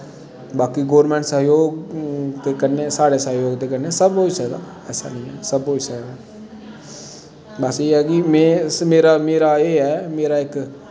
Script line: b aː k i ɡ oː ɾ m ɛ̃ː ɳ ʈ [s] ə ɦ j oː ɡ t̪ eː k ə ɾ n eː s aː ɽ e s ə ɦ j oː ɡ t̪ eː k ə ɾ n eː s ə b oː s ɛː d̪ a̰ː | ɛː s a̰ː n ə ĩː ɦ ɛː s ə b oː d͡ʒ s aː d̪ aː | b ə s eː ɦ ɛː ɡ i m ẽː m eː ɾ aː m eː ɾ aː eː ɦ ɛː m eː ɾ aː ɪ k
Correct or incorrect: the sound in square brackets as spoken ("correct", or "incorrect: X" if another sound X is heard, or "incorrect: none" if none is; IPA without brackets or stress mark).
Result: correct